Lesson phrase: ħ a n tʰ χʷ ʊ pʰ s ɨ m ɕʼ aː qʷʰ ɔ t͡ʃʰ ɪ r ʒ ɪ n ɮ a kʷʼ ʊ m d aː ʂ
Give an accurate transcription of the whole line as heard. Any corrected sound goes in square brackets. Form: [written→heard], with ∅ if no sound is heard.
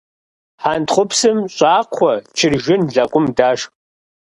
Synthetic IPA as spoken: ħ a n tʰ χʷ ʊ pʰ s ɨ m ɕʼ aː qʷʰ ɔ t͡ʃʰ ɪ r ʒ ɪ n ɮ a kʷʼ ʊ m d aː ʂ